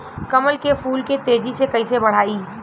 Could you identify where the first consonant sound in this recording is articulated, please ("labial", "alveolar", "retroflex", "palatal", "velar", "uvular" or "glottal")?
velar